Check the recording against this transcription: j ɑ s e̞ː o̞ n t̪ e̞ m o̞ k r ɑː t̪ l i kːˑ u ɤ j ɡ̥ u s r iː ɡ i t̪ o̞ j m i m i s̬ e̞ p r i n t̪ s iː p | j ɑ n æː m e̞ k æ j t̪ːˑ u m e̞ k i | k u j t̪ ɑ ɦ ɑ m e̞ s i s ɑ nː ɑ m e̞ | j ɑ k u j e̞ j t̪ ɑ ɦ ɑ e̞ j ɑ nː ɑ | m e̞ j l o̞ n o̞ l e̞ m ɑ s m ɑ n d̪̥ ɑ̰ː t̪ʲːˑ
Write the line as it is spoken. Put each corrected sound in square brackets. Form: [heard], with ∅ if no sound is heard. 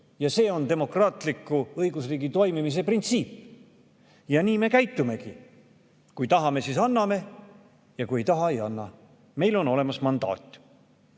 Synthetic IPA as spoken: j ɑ s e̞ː o̞ n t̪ e̞ m o̞ k r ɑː t̪ l i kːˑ u ɤ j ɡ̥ u s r iː ɡ i t̪ o̞ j m i m i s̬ e̞ p r i n t̪ s iː p | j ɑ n [iː] m e̞ k æ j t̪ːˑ u m e̞ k i | k u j t̪ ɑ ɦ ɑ m e̞ s i s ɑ nː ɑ m e̞ | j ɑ k u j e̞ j t̪ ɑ ɦ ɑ e̞ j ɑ nː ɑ | m e̞ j l o̞ n o̞ l e̞ m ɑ s m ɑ n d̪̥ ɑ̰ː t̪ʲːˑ